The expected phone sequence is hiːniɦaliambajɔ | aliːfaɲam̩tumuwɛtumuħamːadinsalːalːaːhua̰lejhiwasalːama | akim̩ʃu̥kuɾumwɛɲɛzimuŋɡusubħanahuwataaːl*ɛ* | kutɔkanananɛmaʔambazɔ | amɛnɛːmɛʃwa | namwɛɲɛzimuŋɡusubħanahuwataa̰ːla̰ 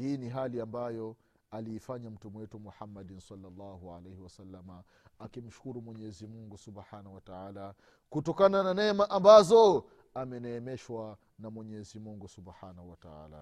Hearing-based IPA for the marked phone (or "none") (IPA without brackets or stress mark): a